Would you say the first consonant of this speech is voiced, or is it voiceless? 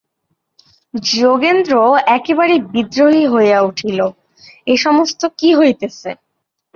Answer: voiced